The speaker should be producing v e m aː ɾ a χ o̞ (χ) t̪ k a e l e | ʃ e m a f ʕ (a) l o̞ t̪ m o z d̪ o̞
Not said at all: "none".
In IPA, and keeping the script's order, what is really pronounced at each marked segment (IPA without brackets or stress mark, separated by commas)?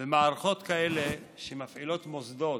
none, i